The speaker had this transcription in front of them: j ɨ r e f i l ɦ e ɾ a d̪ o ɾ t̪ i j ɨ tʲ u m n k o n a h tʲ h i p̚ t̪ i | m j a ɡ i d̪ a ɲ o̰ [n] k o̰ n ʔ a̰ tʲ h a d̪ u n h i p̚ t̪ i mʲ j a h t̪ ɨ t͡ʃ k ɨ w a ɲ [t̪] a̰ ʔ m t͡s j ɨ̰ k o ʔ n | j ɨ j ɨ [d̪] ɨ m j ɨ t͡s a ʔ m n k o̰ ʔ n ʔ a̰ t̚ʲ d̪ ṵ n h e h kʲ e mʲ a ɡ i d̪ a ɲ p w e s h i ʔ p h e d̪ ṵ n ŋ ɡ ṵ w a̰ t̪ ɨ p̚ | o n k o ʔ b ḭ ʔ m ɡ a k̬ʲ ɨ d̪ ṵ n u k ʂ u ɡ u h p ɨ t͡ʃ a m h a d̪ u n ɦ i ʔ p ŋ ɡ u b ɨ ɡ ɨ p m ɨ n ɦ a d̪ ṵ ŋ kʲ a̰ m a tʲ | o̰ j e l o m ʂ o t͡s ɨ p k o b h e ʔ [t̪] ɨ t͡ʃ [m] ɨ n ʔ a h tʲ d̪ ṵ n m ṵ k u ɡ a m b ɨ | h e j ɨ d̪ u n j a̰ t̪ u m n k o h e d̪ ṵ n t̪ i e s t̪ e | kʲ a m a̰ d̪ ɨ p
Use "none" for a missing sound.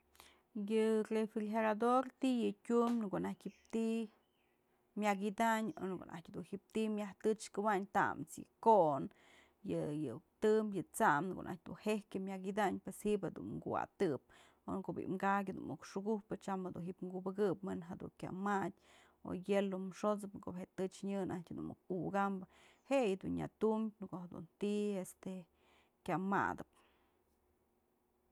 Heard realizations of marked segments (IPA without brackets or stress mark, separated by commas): n, t̪, t̪, t̪, ɲ